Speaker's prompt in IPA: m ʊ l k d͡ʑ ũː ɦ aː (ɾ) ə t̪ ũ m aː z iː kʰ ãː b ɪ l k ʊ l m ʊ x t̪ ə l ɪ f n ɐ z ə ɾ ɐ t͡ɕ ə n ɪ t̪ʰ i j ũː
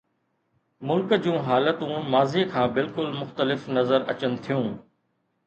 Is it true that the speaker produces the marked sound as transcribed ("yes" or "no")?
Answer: no